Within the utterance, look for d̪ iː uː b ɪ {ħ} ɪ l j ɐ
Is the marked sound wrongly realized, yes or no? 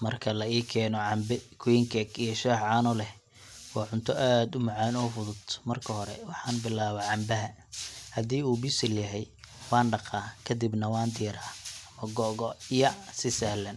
yes